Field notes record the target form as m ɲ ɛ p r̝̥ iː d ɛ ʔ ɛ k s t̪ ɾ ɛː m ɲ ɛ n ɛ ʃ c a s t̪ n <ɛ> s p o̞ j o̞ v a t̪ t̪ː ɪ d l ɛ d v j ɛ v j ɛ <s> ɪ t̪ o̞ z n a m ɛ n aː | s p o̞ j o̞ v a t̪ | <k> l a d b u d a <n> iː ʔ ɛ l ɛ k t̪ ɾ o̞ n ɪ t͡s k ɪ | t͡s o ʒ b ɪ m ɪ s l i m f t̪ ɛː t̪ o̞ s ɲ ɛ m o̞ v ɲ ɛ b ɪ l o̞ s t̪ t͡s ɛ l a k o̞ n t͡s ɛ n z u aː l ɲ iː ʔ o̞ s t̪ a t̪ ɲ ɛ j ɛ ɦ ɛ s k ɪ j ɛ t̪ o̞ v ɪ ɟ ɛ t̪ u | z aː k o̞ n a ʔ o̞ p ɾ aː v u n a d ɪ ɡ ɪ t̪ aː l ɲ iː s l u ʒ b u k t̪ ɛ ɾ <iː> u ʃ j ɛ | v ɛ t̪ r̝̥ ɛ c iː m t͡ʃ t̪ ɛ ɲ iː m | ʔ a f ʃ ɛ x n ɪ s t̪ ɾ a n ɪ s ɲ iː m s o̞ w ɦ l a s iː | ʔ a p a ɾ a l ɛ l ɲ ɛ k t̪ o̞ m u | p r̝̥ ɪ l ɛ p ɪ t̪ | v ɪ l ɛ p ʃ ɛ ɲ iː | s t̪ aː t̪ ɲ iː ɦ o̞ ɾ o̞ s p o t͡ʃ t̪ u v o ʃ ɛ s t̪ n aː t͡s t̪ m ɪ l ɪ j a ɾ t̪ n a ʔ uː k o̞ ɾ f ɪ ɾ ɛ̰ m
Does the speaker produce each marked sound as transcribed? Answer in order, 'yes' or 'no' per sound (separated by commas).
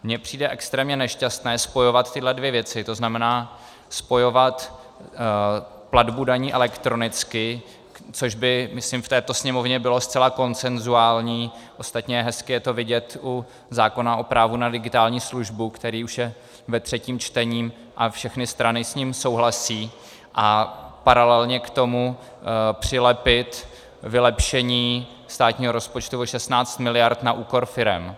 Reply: no, no, no, no, yes